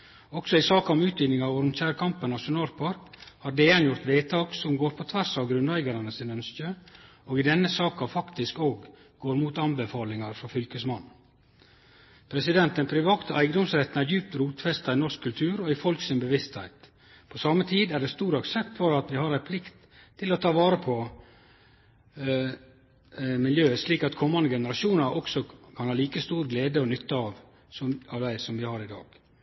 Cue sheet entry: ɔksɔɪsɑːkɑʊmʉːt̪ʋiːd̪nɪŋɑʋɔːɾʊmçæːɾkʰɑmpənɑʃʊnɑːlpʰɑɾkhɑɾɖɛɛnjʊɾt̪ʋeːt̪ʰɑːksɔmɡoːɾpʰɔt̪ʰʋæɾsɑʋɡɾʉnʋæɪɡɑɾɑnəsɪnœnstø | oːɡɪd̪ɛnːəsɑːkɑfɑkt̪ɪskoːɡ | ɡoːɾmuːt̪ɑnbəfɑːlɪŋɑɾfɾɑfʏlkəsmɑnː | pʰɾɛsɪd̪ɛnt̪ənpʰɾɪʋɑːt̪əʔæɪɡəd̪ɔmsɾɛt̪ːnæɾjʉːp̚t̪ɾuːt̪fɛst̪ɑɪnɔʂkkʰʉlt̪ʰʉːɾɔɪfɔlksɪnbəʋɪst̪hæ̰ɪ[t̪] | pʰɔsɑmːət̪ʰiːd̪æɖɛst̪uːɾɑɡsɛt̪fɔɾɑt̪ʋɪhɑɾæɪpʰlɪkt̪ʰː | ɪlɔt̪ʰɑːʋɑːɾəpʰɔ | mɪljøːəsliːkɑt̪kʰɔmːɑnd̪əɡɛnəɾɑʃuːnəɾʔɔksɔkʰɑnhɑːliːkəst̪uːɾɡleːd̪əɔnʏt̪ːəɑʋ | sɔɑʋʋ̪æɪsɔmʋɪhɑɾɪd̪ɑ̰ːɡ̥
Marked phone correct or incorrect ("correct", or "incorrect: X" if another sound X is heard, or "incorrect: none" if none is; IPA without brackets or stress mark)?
correct